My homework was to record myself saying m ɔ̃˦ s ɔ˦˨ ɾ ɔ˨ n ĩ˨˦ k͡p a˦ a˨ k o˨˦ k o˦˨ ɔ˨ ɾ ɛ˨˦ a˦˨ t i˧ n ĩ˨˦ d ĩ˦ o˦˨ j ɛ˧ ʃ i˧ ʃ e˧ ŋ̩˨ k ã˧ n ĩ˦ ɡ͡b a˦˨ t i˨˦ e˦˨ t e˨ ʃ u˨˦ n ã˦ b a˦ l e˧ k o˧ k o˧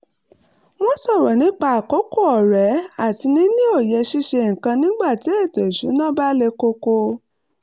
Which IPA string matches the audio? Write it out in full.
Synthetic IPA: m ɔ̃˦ s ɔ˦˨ ɾ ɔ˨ n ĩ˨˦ k͡p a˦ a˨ k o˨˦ k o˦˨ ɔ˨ ɾ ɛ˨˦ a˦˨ t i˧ n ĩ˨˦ n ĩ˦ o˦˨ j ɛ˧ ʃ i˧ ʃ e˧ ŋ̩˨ k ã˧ n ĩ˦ ɡ͡b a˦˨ t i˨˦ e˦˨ t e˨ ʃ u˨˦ n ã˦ b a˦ l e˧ k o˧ k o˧